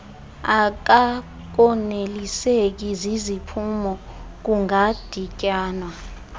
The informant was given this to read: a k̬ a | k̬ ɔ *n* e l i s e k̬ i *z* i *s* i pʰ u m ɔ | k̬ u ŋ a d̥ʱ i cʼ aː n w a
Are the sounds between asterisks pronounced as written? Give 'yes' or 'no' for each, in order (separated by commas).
yes, yes, no